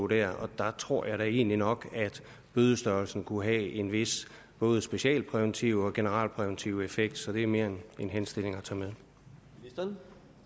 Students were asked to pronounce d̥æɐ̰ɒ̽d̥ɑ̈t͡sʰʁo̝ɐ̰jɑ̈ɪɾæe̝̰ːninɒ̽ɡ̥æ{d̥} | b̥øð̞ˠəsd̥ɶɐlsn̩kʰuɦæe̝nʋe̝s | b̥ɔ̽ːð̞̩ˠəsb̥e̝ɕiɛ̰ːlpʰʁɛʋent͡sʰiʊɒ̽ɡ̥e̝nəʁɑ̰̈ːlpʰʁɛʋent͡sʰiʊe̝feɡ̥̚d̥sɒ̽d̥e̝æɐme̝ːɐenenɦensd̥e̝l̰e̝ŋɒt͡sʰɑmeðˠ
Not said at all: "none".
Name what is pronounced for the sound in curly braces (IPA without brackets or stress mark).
d̥